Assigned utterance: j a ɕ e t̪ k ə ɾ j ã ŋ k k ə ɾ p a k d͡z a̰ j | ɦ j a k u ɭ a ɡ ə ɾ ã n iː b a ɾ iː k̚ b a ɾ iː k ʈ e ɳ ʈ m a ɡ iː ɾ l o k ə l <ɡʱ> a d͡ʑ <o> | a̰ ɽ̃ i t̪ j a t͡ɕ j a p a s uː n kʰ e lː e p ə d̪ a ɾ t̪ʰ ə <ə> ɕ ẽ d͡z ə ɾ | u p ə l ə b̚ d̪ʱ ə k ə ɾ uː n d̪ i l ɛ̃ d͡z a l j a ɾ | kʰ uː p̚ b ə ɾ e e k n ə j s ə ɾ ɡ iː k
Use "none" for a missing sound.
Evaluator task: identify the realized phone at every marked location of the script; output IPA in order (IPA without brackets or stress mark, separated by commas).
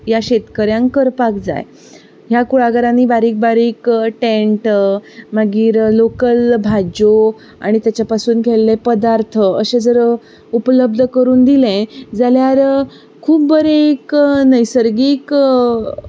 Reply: bʱ, o, ə